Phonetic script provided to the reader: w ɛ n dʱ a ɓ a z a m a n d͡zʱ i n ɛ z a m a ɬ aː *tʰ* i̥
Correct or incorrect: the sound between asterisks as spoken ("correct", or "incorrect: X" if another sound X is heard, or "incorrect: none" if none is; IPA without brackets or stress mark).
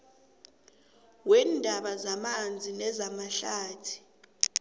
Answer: correct